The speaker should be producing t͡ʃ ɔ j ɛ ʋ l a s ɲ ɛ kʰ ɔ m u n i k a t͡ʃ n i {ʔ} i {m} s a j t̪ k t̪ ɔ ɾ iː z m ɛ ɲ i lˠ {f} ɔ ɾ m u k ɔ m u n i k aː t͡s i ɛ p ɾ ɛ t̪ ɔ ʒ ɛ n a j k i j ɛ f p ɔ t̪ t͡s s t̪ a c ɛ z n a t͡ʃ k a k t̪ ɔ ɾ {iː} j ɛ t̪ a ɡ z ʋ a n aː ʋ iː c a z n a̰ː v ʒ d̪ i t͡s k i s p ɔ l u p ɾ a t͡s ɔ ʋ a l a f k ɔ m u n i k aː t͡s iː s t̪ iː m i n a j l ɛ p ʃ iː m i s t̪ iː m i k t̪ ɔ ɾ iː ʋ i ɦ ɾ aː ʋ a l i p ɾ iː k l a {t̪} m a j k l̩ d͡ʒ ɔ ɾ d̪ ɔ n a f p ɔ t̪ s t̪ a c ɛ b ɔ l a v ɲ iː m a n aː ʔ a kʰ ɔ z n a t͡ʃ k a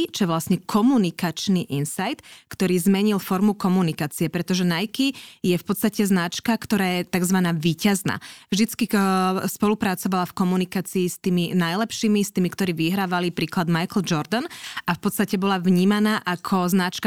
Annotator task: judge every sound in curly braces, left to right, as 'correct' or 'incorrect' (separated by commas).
correct, incorrect, correct, incorrect, incorrect